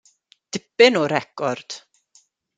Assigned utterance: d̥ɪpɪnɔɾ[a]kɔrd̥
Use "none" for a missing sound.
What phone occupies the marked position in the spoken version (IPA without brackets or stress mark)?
ɛ